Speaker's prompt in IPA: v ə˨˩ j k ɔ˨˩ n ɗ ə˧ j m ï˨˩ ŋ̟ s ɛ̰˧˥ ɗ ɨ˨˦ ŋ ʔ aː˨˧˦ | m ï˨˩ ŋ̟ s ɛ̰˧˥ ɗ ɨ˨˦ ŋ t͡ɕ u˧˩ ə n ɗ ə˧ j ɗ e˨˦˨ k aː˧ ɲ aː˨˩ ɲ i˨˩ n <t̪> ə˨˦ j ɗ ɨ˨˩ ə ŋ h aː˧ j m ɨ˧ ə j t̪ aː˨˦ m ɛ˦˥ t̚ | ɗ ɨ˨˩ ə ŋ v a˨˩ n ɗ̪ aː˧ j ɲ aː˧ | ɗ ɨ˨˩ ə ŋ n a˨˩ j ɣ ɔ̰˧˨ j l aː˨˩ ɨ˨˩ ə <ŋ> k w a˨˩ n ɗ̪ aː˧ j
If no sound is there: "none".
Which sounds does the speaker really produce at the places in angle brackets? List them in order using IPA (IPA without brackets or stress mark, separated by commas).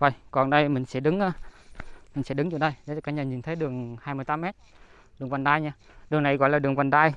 t̪ʰ, ŋ